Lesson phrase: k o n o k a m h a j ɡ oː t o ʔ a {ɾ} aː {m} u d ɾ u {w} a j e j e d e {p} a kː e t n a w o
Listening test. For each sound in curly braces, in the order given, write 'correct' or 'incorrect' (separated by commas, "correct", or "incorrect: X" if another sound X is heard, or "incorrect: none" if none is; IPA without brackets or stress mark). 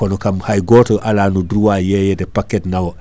incorrect: l, incorrect: n, correct, correct